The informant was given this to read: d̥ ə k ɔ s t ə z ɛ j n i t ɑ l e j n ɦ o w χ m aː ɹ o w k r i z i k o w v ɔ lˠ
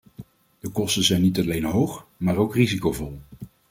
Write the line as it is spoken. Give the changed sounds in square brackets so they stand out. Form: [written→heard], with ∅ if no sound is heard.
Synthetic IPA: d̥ ə k ɔ s t ə z ɛ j n i t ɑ l e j n ɦ o w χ m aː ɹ o w k r i z i k o w v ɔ lˠ